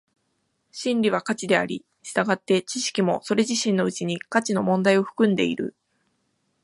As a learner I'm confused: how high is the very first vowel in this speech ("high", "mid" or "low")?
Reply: high